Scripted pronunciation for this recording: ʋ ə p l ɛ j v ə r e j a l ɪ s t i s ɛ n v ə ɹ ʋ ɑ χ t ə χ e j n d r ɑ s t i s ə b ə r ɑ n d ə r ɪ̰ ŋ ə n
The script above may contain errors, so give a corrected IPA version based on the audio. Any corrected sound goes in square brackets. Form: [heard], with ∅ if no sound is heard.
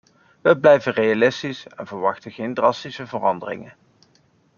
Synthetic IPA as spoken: ʋ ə [b] l ɛ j v ə r e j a l ɪ s t i s ɛ n v ə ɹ ʋ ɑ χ t ə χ e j n d r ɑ s t i s ə [v] ə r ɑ n d ə r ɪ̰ ŋ ə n